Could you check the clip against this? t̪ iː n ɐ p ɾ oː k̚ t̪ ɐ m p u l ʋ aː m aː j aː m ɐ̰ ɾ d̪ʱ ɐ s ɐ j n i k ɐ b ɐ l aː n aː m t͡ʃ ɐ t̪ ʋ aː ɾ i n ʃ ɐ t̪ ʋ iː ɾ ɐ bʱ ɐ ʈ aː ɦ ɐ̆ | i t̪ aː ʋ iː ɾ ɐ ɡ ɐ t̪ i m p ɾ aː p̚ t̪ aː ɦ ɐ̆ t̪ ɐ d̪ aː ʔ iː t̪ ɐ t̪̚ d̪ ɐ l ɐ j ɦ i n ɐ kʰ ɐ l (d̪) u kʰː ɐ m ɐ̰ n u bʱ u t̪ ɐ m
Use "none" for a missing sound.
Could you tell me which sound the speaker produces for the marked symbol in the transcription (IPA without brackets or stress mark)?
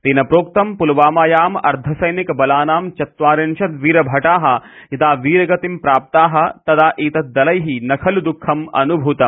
d̪